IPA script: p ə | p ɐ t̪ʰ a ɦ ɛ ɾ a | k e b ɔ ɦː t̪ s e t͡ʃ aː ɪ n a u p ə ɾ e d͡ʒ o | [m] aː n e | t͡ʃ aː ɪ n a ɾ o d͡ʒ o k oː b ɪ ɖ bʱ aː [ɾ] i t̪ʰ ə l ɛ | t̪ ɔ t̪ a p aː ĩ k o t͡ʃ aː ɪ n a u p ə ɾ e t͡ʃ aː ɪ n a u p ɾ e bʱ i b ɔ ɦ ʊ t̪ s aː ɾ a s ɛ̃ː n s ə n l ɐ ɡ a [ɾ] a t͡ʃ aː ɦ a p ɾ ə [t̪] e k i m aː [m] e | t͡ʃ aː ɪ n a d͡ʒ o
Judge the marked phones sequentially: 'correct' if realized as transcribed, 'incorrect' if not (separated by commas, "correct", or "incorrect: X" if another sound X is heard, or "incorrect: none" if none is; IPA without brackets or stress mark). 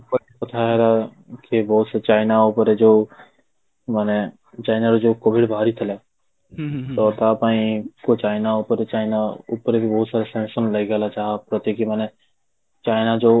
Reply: correct, correct, incorrect: l, correct, incorrect: n